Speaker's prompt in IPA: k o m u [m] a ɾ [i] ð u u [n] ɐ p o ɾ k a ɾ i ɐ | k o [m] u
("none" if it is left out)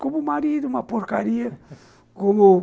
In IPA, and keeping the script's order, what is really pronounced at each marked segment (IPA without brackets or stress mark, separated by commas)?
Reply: m, i, m, m